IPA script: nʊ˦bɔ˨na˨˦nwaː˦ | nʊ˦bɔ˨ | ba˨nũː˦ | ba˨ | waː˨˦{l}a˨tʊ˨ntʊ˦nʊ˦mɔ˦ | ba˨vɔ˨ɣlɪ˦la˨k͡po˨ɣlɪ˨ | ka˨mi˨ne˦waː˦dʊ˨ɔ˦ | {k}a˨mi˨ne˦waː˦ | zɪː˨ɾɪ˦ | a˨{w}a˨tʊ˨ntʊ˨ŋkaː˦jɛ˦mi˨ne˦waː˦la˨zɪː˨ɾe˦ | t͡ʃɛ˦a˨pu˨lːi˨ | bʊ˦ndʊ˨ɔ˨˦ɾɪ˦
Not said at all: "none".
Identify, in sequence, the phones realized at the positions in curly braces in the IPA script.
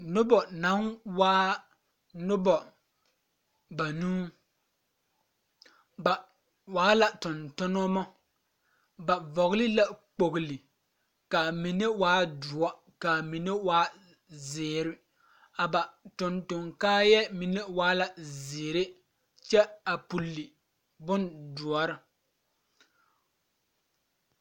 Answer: l, k, b

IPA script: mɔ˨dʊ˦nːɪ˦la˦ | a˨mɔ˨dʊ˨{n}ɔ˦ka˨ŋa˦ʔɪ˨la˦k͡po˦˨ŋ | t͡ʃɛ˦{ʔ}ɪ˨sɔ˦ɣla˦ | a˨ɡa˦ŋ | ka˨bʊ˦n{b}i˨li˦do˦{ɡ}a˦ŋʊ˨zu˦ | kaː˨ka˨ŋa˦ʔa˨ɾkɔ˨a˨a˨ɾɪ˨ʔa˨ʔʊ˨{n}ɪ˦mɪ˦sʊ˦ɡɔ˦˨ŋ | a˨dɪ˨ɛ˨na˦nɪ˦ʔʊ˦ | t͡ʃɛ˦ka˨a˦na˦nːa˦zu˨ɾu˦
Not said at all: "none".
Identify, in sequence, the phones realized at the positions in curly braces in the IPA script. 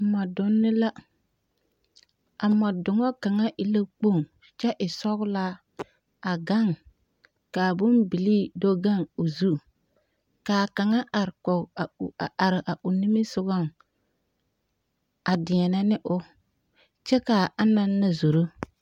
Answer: ŋ, ʔ, b, ɡ, n

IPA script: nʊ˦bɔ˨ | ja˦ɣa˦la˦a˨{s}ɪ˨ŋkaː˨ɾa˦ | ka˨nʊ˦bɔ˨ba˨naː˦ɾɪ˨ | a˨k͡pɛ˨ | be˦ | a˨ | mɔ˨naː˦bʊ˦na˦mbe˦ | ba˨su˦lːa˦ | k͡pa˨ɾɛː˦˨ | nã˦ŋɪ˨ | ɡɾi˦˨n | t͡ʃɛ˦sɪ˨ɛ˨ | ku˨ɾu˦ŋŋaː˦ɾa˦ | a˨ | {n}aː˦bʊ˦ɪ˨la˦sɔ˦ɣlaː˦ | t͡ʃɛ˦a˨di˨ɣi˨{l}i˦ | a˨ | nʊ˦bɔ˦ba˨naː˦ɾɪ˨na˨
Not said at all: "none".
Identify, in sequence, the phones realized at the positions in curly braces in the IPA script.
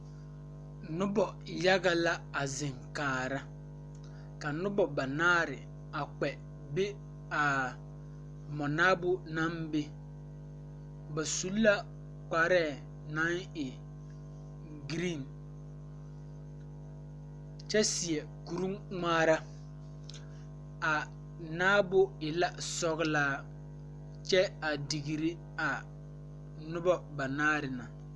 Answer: z, n, ɾ

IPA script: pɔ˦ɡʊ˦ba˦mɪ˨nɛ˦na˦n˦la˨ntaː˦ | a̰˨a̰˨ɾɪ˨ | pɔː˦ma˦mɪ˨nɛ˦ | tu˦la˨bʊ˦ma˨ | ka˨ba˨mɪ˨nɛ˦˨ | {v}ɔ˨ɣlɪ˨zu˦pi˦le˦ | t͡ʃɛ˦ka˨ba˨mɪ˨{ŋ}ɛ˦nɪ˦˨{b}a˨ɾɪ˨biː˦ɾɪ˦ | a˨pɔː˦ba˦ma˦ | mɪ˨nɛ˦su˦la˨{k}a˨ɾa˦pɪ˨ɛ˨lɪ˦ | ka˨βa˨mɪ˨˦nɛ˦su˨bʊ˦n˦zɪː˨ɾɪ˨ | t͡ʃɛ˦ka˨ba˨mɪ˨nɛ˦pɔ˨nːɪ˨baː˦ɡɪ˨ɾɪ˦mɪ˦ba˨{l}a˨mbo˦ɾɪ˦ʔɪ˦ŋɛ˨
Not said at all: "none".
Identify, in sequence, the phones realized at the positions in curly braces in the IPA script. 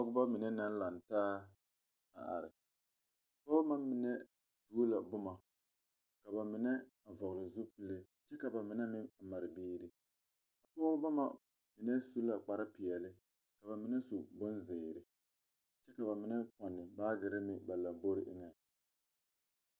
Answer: v, n, m, k͡p, l

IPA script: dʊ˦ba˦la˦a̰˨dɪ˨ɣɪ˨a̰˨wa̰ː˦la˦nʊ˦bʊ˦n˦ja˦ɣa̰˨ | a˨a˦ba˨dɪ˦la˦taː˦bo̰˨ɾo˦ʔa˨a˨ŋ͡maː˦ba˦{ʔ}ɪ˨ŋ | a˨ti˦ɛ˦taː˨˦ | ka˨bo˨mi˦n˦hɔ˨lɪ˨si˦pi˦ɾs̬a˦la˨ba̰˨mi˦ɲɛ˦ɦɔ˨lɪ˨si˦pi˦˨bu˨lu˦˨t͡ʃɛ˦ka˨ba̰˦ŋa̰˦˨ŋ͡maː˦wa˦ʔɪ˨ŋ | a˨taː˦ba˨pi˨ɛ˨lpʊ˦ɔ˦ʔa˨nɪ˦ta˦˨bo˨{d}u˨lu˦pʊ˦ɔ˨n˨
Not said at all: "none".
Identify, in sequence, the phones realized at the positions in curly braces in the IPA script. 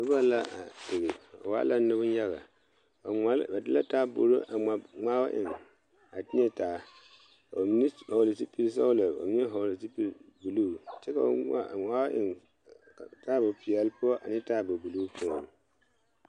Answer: ʔ, b

